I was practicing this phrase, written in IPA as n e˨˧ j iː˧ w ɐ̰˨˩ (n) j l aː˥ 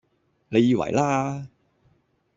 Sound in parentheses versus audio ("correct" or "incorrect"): incorrect